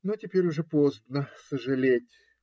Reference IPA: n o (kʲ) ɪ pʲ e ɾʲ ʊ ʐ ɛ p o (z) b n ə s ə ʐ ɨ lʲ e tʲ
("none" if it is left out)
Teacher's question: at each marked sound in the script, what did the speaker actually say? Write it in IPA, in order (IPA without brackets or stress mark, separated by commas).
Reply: tʲ, z